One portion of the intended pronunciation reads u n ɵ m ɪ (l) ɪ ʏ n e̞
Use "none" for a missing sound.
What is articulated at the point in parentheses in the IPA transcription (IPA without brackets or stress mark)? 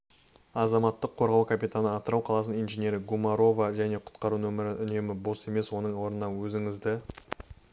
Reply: ɾ